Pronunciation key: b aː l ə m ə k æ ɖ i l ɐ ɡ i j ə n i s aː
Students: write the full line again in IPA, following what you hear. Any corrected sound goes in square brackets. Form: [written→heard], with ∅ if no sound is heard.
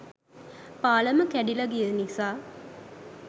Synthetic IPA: [b→p] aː l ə m ə k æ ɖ i l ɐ ɡ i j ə n i s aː